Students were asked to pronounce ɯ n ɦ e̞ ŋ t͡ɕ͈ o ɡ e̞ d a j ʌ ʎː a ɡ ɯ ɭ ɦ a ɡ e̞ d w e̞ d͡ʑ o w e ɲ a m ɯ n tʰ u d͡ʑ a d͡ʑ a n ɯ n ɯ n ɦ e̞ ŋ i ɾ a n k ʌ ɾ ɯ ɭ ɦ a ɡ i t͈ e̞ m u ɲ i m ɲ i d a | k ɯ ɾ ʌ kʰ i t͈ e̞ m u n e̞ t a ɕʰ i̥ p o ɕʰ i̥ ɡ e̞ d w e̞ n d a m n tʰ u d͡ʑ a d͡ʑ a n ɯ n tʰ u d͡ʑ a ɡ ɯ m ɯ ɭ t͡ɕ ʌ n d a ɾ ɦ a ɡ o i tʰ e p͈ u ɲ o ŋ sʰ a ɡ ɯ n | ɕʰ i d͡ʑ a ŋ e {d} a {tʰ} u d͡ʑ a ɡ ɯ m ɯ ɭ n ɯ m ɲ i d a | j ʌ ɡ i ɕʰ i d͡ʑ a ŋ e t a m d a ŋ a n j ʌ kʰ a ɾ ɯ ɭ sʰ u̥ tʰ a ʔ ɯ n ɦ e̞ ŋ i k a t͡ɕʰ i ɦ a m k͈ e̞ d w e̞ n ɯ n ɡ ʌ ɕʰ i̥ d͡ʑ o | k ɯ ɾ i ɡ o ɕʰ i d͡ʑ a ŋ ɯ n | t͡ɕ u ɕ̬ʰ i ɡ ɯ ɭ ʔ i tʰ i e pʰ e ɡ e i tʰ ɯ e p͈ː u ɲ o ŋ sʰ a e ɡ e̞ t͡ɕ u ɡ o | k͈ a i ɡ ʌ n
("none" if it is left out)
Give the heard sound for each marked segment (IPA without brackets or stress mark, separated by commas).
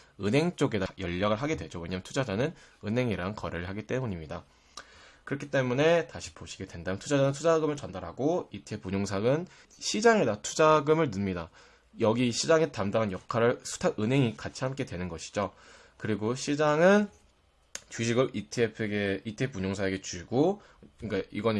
d, tʰ